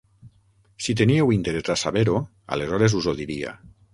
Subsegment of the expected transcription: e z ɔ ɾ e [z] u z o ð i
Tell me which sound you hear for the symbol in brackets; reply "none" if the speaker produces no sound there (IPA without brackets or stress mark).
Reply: z